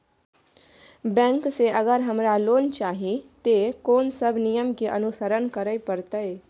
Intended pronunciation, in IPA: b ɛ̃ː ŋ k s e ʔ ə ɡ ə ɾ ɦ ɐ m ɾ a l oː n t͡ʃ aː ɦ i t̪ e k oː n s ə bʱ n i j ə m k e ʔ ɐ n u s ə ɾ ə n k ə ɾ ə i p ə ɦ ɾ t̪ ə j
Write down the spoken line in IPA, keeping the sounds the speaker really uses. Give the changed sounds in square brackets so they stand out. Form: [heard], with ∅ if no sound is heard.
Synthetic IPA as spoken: b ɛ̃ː ŋ k s e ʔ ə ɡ ə ɾ ɦ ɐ m ɾ a l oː n t͡ʃ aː ɦ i t̪ e k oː n s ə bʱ n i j ə m k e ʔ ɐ n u s ə ɾ ə n k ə ɾ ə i p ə [∅] ɾ t̪ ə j